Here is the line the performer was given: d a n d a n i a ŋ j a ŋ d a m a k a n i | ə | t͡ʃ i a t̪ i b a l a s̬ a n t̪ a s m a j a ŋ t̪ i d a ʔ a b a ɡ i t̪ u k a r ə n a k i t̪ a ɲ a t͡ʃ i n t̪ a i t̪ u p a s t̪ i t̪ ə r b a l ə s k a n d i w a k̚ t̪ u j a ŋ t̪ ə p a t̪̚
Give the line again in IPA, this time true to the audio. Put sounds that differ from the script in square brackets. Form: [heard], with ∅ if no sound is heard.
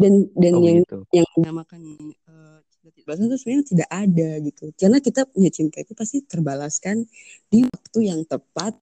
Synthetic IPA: d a n d a n [j] a ŋ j a ŋ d a m a k a n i | ə | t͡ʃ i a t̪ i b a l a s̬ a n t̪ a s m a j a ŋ t̪ i d a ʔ a [d] a ɡ i t̪ u k a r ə n a k i t̪ a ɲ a t͡ʃ i n t̪ a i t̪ u p a s t̪ i t̪ ə r b a l [a] s k a n d i w a k̚ t̪ u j a ŋ t̪ ə p a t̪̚